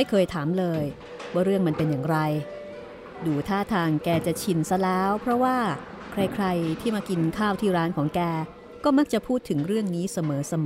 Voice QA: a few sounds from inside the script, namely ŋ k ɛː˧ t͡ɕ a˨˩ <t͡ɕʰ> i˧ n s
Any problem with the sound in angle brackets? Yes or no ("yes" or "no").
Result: no